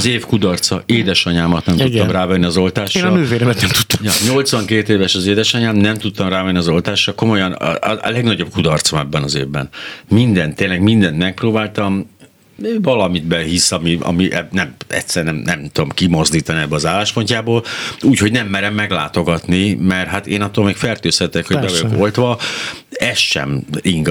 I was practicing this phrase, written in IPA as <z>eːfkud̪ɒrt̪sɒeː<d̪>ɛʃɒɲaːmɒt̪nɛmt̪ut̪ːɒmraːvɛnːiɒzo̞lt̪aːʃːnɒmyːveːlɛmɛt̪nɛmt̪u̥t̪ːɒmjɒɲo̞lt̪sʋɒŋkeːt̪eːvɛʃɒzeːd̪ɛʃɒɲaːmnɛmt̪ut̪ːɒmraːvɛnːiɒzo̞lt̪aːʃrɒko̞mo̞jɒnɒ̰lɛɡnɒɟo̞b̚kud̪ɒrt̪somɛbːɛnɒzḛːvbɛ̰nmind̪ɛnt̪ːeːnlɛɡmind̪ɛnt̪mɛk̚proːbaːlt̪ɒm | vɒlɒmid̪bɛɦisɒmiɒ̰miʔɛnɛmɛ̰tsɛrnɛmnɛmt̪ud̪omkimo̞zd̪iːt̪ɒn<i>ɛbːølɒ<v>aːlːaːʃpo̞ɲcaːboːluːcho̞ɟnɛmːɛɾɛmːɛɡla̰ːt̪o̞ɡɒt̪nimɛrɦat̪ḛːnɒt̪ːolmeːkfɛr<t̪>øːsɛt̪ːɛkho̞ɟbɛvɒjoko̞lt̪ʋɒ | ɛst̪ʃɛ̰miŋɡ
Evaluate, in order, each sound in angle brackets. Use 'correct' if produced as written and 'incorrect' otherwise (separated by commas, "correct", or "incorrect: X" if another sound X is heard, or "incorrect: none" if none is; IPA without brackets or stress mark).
correct, correct, correct, incorrect: z, correct